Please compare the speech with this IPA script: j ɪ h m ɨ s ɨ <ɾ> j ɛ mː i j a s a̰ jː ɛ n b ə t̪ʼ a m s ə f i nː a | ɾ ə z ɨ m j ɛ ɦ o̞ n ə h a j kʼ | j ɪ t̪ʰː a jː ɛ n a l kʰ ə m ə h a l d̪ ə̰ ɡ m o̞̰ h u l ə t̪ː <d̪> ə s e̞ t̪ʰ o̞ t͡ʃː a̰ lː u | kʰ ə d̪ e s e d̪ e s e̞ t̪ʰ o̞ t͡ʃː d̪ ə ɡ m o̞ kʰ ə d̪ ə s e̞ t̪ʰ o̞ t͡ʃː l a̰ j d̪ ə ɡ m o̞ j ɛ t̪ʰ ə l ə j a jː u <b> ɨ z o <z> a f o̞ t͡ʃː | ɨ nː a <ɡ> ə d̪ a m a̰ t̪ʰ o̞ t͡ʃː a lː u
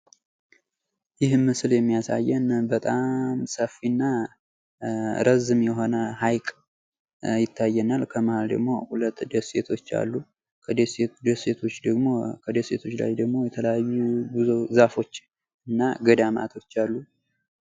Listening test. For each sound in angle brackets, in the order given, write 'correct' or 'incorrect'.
incorrect: l, correct, correct, correct, correct

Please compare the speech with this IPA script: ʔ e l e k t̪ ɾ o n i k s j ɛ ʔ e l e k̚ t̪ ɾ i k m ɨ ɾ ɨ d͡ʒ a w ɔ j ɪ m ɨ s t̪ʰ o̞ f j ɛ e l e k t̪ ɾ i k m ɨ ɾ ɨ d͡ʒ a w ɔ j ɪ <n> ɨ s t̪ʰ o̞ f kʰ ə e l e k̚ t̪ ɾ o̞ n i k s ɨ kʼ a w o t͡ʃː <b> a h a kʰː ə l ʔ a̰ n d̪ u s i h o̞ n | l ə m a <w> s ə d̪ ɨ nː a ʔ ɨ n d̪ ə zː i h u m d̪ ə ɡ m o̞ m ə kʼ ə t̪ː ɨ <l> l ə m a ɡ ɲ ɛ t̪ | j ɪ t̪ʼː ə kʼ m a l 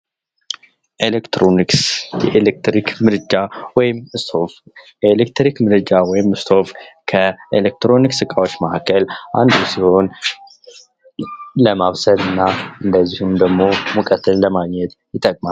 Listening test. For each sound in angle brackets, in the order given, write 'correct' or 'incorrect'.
incorrect: m, incorrect: m, incorrect: β, correct

